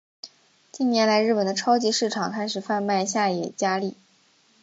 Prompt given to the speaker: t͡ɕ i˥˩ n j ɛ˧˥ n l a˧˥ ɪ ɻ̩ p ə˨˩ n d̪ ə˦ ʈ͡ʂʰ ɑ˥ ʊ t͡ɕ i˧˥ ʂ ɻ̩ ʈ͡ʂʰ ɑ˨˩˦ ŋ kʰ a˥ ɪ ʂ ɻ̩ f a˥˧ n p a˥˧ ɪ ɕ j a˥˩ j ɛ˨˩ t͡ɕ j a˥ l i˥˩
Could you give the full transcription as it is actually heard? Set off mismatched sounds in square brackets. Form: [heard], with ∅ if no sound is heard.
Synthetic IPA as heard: t͡ɕ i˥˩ n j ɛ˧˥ n l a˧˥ ɪ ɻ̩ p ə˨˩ n d̪ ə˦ ʈ͡ʂʰ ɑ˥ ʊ t͡ɕ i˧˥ ʂ ɻ̩ ʈ͡ʂʰ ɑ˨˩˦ ŋ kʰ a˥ ɪ ʂ ɻ̩ f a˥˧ n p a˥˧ ɪ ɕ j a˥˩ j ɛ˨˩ t͡ɕ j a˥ l i˥˩